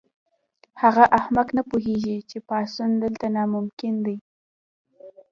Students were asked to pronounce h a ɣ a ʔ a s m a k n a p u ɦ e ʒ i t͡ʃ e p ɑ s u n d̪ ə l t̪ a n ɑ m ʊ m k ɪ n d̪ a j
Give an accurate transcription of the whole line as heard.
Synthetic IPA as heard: h a ɣ a ʔ a h m a k n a p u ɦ e ʒ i t͡ʃ e p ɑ s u n d̪ ə l t̪ a n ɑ m ʊ m k ɪ n d̪ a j